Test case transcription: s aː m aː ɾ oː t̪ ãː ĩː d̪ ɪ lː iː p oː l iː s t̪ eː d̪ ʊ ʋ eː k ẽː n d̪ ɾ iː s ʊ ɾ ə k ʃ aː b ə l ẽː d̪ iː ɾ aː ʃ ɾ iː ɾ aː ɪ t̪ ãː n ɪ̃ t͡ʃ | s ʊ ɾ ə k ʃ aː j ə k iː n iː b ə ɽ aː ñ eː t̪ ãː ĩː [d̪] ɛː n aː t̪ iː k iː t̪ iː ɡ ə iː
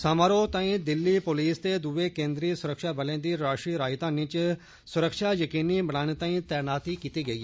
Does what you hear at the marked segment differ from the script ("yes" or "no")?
yes